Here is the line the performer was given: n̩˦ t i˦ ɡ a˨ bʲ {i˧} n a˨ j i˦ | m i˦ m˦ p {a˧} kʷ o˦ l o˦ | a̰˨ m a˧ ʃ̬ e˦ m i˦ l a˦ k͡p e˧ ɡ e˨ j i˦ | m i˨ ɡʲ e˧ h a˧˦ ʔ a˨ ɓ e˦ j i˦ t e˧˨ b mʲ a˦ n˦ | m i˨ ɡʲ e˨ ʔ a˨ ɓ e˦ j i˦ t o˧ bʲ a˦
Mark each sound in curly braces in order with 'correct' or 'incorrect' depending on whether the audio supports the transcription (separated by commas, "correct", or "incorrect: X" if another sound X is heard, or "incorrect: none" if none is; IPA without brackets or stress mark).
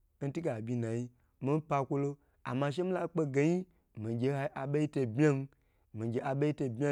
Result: correct, correct